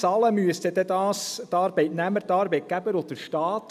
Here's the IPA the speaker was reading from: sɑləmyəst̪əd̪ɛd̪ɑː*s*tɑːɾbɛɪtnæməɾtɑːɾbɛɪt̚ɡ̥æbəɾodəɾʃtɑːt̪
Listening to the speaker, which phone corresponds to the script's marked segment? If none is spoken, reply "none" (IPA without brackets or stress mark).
s